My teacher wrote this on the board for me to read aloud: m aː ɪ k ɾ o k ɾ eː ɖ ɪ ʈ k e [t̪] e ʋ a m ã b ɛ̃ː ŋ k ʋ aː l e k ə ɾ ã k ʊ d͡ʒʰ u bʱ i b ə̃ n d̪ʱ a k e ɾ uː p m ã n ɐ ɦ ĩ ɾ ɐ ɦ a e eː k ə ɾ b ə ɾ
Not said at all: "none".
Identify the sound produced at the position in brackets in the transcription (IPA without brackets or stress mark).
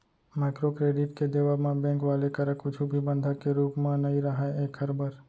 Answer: d̪